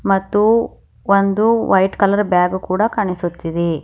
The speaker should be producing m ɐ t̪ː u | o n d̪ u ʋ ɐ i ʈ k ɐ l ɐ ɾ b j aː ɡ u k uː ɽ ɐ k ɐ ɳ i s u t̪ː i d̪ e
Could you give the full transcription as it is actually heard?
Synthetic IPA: m ɐ t̪ː u | o n d̪ u ʋ ɐ j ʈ k ɐ l ɐ ɾ b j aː ɡ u k uː ɽ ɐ k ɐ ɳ i s u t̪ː i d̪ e